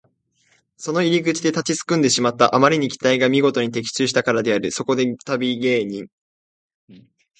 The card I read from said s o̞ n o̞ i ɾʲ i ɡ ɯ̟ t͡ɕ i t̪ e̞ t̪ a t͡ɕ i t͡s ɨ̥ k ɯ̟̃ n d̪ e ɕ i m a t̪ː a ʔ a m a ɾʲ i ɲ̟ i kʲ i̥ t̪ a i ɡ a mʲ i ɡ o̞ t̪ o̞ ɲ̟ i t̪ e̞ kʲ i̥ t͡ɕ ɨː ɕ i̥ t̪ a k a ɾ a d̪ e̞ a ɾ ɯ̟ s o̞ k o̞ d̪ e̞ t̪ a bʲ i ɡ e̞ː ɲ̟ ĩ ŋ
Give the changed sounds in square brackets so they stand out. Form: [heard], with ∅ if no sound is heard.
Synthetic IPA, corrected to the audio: s o̞ n o̞ i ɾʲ i ɡ ɯ̟ t͡ɕ i [d̪] e̞ t̪ a t͡ɕ i t͡s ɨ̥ k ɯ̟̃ n d̪ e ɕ i m a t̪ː a ʔ a m a ɾʲ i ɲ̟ i kʲ i̥ t̪ a i ɡ a mʲ i ɡ o̞ t̪ o̞ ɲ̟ i t̪ e̞ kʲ i̥ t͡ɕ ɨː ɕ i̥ t̪ a k a ɾ a d̪ e̞ a ɾ ɯ̟ s o̞ k o̞ d̪ e̞ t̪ a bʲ i ɡ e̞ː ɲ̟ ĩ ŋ